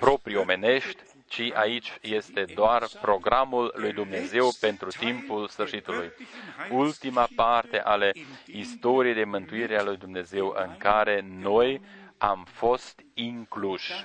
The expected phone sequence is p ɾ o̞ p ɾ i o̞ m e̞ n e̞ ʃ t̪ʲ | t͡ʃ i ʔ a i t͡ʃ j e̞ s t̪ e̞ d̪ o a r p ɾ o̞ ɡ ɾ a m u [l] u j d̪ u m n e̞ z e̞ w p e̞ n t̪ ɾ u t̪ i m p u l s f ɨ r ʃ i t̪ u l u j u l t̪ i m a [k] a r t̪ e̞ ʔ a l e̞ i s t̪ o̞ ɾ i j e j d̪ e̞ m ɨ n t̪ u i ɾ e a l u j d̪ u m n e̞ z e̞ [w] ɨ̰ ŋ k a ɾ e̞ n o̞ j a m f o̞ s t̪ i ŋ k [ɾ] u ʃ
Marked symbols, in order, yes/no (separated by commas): no, no, yes, no